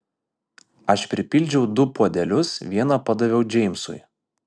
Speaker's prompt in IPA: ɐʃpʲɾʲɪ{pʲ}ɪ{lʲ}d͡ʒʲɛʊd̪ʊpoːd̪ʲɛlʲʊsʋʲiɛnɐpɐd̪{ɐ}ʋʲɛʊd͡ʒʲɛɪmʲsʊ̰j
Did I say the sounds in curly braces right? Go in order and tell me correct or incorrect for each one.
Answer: correct, correct, correct

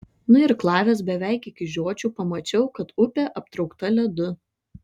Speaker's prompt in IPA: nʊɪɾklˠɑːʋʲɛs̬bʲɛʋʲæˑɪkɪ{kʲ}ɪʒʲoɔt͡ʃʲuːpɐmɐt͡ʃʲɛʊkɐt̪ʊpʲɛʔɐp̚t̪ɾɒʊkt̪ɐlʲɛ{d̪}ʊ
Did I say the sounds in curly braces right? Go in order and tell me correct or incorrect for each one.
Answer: correct, correct

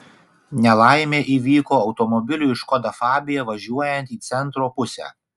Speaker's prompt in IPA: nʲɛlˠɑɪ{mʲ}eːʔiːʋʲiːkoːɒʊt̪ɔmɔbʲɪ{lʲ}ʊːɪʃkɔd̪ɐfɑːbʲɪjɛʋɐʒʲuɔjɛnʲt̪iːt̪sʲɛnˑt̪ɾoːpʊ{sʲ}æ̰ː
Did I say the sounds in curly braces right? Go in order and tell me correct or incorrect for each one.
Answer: correct, correct, correct

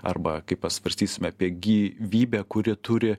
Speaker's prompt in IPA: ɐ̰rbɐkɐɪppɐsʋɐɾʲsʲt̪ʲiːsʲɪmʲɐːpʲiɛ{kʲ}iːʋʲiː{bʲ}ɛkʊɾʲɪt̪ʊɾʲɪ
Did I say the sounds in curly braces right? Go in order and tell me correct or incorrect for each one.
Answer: incorrect, correct

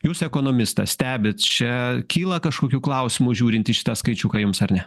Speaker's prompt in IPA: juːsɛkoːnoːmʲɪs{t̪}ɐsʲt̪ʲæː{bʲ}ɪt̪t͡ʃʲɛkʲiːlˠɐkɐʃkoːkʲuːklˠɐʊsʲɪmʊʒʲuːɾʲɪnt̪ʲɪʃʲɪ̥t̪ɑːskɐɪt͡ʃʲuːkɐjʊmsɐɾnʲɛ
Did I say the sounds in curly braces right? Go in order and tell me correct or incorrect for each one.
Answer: correct, correct

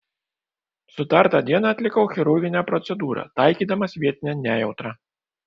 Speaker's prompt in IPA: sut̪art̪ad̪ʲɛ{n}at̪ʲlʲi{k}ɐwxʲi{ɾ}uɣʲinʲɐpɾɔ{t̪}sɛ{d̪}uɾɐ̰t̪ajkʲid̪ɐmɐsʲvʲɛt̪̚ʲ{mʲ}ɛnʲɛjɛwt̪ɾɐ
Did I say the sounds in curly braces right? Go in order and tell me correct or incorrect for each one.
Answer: correct, correct, correct, correct, correct, incorrect

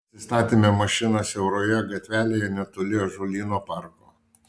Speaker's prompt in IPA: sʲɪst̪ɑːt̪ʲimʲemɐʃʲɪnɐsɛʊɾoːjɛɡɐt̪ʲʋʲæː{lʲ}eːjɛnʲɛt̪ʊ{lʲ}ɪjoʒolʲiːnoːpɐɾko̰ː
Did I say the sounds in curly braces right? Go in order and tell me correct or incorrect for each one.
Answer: correct, correct

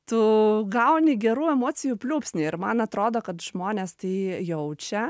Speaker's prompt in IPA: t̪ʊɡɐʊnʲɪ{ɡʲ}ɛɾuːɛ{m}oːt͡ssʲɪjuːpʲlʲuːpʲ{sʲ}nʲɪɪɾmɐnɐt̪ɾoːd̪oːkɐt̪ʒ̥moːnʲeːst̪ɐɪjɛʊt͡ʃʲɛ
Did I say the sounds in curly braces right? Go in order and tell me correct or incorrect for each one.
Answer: correct, correct, correct

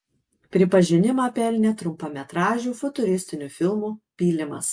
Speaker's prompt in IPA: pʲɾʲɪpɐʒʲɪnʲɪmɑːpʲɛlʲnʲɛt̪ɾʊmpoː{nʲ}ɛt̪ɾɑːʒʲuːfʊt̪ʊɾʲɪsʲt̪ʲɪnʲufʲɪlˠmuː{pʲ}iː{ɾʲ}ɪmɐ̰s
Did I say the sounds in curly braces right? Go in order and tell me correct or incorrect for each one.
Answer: incorrect, correct, incorrect

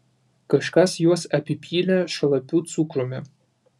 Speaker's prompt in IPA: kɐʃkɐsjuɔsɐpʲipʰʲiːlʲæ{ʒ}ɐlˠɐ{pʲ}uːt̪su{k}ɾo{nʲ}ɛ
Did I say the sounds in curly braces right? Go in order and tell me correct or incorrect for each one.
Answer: incorrect, correct, correct, incorrect

